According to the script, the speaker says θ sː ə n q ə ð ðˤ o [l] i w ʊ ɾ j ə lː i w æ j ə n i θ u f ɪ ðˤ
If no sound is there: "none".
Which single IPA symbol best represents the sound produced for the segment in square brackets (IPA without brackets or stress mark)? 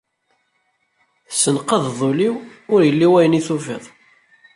l